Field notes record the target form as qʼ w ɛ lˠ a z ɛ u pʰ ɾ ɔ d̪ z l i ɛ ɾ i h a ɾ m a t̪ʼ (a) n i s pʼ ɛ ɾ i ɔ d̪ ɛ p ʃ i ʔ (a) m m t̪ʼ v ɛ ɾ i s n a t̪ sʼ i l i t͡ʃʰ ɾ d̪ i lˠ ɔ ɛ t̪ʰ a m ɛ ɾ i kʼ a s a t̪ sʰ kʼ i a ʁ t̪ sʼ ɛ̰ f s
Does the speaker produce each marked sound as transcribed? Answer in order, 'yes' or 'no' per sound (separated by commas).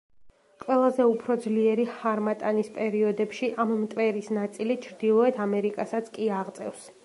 yes, yes